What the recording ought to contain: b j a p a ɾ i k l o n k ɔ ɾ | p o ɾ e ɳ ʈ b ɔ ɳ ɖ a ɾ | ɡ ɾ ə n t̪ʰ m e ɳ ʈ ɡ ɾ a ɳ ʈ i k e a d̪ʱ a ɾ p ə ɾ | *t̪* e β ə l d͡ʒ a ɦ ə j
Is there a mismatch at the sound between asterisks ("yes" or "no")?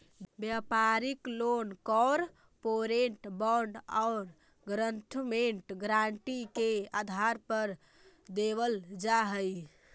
yes